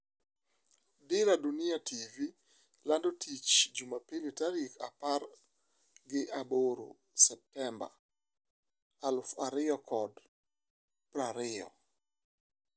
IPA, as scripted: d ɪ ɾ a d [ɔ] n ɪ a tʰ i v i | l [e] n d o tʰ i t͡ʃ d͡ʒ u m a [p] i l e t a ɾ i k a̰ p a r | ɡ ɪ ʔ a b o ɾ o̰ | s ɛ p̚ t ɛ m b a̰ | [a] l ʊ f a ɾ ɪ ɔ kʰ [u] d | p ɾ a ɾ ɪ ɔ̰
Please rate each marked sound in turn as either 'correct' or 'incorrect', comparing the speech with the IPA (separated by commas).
incorrect, incorrect, correct, correct, incorrect